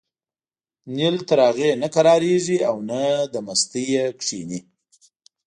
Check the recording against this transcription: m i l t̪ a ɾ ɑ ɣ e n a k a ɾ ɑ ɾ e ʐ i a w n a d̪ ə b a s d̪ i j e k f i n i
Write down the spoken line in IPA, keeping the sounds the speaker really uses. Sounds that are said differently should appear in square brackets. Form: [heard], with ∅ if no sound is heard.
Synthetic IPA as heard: [n] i l t̪ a ɾ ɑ ɣ e n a k a ɾ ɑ ɾ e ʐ i a w n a d̪ ə [m] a s [t̪] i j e k [ʂ] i n i